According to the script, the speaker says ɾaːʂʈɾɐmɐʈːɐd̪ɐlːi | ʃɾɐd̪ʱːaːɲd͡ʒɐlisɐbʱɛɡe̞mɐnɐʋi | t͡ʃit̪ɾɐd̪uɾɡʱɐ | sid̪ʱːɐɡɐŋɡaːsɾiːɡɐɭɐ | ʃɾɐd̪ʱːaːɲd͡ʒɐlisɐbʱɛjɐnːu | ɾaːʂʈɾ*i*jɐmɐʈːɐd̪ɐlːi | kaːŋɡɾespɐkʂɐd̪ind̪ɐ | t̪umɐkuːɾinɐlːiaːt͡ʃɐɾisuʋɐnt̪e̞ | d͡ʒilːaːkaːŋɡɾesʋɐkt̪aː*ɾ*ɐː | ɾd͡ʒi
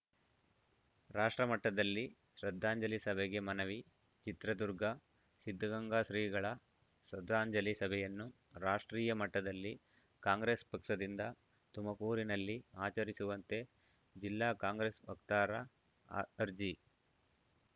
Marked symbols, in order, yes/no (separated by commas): no, yes